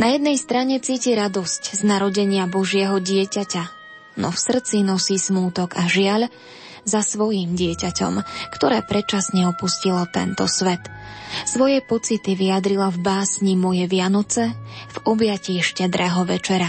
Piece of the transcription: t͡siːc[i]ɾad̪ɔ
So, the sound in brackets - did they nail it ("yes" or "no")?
yes